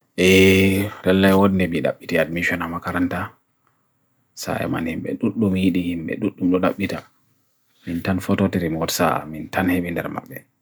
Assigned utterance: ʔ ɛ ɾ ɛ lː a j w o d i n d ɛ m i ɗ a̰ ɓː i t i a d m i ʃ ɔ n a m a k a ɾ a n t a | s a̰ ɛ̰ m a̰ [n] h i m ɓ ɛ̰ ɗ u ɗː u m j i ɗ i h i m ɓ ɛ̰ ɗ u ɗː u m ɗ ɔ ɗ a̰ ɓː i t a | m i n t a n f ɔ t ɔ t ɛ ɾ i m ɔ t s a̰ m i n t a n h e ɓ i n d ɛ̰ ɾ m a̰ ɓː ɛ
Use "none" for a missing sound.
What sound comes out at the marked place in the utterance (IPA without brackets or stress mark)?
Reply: n